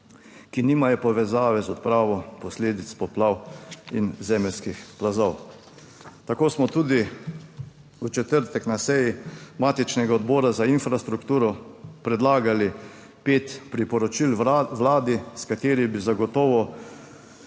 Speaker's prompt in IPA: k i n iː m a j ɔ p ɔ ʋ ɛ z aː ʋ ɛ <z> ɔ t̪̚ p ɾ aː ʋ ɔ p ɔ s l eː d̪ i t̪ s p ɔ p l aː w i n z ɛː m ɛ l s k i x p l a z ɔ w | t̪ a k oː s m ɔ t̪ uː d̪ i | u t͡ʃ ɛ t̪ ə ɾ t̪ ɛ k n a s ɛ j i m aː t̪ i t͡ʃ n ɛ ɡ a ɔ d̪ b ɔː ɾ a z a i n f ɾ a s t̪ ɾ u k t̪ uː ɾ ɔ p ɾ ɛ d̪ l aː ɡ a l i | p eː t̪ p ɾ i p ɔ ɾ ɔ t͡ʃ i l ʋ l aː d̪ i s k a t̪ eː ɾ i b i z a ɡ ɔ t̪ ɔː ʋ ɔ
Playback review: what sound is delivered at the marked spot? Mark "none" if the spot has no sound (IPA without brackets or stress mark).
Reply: z